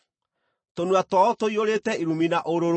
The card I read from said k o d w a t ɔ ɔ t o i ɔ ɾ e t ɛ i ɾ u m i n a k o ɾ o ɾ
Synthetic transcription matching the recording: t o n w a t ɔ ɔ t o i o ɾ e t ɛ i ɾ u m i n a ʔ o ɾ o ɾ